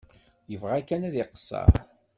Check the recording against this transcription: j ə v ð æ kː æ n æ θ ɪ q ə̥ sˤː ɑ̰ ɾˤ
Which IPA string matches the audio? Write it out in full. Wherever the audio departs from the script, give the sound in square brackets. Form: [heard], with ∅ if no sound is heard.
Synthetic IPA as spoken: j ə v [ʁ] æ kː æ n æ [ð] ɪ q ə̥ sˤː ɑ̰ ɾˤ